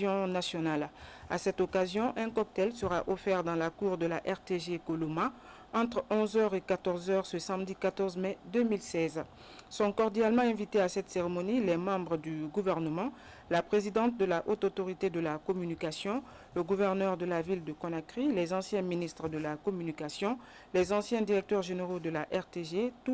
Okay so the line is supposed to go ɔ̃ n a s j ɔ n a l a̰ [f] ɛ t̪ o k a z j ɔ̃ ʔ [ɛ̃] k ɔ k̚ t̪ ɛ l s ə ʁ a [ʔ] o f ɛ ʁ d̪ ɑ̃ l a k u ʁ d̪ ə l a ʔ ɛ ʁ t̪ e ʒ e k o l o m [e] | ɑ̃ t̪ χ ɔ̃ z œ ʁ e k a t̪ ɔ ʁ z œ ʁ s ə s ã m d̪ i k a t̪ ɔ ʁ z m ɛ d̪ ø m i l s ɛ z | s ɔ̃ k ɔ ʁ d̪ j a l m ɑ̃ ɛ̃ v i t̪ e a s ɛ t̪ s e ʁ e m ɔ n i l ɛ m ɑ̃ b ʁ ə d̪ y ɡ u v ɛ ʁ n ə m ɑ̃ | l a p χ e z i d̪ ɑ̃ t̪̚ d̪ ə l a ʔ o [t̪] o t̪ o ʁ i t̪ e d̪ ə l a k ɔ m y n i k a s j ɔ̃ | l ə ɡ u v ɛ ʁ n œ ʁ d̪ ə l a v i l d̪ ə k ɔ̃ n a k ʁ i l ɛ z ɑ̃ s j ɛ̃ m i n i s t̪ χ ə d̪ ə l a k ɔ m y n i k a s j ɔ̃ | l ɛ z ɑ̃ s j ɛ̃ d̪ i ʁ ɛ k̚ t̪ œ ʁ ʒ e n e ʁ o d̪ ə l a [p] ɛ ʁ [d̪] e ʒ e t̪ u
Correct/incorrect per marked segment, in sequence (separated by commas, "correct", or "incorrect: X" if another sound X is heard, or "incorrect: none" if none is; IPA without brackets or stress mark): incorrect: s, correct, correct, incorrect: a, correct, incorrect: ʔ, incorrect: t̪